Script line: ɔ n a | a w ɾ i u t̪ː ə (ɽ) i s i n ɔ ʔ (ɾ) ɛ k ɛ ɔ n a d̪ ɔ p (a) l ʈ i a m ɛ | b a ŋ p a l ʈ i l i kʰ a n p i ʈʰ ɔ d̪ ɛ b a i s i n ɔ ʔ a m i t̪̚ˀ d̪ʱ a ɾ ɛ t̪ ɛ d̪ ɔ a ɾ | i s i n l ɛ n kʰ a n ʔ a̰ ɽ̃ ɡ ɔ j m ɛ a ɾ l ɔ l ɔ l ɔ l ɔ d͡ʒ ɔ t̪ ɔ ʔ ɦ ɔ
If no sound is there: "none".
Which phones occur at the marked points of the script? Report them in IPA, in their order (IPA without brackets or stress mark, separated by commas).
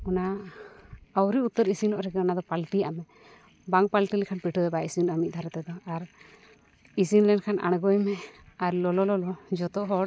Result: ɾ, ɾ, a